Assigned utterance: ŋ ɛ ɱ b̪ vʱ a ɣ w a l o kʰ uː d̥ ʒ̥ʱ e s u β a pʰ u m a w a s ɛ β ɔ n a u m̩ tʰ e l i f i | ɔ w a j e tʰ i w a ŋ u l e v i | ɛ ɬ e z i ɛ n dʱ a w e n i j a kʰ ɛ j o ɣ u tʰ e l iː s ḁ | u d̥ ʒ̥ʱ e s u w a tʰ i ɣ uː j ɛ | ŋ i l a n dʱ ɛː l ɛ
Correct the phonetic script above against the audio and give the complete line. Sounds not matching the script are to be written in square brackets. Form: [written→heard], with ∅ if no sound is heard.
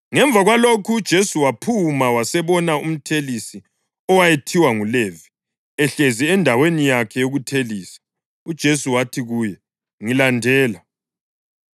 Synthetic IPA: ŋ ɛ ɱ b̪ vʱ a ɣ w a l o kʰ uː d̥ ʒ̥ʱ e s u [β→w] a pʰ u m a w a s ɛ β ɔ n a u m̩ tʰ e l i [f→s] i | ɔ w a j e tʰ i w a ŋ u l e v i | ɛ ɬ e z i ɛ n dʱ a w e n i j a kʰ ɛ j o ɣ u tʰ e l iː s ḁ | u d̥ ʒ̥ʱ e s u w a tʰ i ɣ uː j ɛ | ŋ i l a n dʱ ɛː l [ɛ→a]